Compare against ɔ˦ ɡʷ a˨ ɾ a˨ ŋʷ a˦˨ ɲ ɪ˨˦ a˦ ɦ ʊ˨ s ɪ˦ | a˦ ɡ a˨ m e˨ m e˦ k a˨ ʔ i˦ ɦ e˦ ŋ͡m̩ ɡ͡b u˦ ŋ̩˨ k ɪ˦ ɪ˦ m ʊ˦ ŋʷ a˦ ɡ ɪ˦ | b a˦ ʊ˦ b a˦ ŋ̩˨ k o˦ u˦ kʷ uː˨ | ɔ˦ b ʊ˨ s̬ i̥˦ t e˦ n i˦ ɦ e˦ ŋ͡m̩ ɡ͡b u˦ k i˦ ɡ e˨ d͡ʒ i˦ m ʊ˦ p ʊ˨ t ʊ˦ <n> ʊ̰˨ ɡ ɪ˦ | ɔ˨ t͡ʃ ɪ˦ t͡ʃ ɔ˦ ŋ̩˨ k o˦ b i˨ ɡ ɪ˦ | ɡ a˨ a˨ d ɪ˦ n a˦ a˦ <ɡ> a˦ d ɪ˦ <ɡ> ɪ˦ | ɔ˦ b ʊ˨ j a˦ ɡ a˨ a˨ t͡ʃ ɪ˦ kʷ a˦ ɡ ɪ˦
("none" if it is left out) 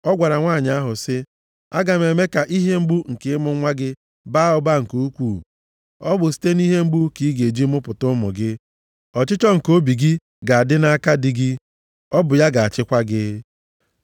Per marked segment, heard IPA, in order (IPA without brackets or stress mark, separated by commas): m, k, ɡ